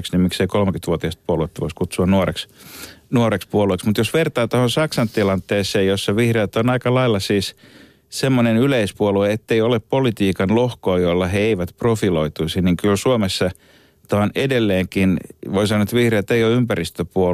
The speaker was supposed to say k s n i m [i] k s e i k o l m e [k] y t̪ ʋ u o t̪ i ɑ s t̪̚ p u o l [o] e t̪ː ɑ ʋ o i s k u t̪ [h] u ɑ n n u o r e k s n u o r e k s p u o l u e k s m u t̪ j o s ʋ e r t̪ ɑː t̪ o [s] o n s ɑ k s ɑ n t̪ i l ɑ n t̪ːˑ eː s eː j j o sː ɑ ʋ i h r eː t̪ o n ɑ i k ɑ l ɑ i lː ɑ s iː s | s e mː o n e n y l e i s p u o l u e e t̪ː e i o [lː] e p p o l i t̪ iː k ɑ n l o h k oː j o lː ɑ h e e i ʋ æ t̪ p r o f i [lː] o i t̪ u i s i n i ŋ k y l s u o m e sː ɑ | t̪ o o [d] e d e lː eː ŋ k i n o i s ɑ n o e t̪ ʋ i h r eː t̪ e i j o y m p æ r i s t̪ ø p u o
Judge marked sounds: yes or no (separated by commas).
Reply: yes, yes, no, no, no, no, no, no